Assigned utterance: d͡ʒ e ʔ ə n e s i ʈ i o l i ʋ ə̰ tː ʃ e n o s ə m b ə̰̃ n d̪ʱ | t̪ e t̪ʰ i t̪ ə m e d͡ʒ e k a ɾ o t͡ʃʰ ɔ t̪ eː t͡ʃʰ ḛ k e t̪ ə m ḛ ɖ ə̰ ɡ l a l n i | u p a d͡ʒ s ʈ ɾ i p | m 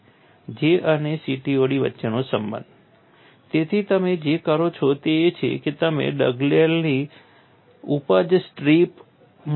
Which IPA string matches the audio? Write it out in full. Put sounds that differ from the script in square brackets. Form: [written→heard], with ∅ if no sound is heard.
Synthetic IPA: d͡ʒ e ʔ ə n e s i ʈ i o [l→ɽ] i ʋ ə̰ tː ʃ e n o s ə m b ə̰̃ n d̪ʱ | t̪ e t̪ʰ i t̪ ə m e d͡ʒ e k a ɾ o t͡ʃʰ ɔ t̪ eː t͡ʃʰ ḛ k e t̪ ə m ḛ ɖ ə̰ ɡ l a l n i | u p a d͡ʒ s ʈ ɾ i p | m